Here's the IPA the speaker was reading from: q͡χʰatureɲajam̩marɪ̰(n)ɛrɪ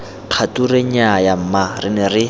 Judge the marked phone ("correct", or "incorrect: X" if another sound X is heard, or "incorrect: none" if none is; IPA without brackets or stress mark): correct